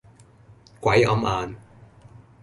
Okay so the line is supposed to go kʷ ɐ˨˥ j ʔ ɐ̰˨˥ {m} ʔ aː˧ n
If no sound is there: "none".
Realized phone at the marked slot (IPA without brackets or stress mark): m